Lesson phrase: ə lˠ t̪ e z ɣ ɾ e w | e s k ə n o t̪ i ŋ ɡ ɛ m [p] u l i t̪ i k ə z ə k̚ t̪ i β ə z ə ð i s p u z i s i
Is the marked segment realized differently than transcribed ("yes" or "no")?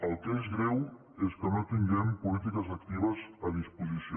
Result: no